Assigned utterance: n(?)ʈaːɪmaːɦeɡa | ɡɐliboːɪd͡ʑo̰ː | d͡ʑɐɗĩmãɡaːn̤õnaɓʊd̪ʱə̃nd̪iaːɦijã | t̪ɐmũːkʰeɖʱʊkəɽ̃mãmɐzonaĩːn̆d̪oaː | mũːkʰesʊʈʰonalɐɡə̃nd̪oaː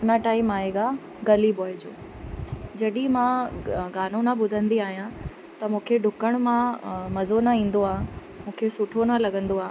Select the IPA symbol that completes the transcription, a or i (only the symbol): a